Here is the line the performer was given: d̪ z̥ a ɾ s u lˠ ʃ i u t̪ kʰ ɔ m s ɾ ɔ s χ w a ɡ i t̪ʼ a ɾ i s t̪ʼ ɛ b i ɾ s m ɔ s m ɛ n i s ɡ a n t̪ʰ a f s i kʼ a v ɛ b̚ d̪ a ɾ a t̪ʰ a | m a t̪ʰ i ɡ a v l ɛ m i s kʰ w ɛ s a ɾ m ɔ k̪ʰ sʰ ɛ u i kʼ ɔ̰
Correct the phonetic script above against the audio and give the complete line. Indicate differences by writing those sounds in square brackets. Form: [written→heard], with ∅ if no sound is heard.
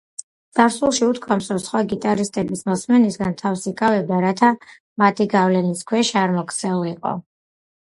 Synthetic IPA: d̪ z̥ a ɾ s u lˠ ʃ i u t̪ kʰ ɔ m s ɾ ɔ s χ w a ɡ i t̪ʼ a ɾ i s t̪ʼ ɛ b i [ɾ→∅] s m ɔ s m ɛ n i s ɡ a n t̪ʰ a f s i kʼ a v ɛ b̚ d̪ a ɾ a t̪ʰ a | m a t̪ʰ i ɡ a v l ɛ [m→n] i s kʰ w ɛ [s→ʃ] a ɾ m ɔ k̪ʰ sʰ ɛ u i [kʼ→qʼ] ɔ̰